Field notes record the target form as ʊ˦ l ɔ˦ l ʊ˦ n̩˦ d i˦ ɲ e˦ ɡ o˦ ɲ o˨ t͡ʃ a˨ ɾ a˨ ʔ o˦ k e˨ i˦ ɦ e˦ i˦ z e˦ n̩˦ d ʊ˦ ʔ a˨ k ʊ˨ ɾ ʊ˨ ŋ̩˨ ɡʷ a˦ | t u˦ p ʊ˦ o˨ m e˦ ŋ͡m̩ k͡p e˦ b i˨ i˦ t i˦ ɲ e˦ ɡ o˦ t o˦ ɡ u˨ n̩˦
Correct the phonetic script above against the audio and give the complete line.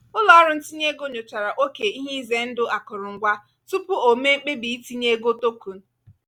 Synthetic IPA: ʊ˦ l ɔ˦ ɾ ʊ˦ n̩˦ t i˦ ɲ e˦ ɡ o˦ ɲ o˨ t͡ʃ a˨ ɾ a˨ ʔ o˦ k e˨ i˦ ɦ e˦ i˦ z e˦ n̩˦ d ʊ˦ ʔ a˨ k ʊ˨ ɾ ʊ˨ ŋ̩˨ ɡʷ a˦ | t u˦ p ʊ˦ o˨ m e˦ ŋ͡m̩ k͡p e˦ b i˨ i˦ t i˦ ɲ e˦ ɡ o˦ t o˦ k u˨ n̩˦